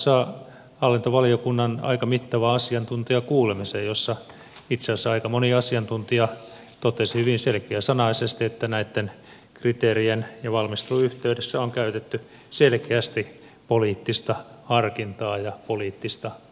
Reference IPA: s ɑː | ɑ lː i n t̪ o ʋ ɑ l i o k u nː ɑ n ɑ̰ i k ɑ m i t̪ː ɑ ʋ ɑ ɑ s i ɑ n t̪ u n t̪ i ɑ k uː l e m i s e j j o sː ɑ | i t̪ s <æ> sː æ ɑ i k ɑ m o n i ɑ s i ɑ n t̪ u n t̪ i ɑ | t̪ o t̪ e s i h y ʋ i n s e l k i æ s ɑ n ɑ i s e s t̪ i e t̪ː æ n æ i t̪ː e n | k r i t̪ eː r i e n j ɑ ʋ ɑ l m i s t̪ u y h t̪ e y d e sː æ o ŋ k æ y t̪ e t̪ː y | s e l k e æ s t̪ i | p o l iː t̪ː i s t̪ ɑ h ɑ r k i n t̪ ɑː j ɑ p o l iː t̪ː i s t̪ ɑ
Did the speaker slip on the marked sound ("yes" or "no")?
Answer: yes